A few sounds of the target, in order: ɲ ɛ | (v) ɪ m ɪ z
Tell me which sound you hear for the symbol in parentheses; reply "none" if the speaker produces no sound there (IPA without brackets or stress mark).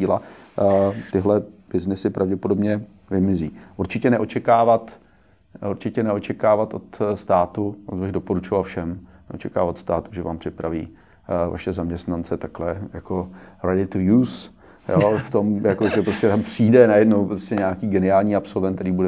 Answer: v